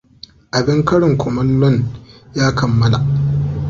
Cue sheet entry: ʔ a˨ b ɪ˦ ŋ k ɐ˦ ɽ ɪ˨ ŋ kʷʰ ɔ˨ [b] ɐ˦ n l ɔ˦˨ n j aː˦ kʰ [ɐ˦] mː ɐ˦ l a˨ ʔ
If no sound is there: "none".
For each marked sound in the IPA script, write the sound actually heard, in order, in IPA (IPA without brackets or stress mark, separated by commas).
m, ɐ˨